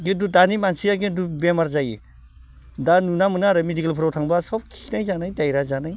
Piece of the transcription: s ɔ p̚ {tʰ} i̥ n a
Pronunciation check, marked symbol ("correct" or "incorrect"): incorrect